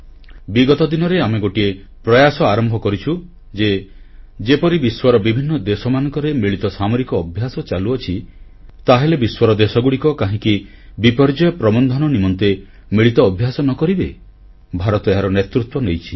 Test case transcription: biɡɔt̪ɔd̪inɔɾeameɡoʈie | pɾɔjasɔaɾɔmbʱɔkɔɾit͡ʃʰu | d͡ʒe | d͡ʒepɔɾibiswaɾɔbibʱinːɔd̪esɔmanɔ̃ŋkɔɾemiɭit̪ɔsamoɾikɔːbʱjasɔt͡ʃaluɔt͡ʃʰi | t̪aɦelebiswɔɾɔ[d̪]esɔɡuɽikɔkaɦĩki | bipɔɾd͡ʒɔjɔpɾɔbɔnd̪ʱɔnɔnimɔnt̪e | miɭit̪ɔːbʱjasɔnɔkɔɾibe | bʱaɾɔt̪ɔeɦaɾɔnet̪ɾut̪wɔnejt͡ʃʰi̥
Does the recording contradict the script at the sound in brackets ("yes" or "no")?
no